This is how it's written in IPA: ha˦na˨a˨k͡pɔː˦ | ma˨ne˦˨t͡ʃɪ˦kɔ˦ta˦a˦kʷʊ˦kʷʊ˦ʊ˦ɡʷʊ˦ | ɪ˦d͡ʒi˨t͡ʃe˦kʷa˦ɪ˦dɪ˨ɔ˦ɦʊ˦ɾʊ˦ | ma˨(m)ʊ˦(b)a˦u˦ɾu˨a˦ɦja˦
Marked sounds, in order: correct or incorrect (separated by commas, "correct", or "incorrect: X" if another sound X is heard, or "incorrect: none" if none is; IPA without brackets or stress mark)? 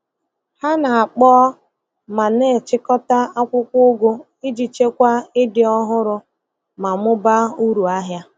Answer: correct, correct